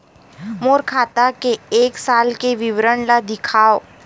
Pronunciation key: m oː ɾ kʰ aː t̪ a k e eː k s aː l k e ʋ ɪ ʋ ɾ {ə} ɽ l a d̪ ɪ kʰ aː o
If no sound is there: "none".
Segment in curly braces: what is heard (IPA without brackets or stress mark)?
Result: ə